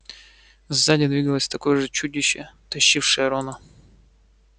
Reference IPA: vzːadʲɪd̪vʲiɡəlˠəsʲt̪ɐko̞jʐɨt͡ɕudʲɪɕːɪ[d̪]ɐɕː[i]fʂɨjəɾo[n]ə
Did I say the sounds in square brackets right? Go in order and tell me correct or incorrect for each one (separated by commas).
incorrect, correct, correct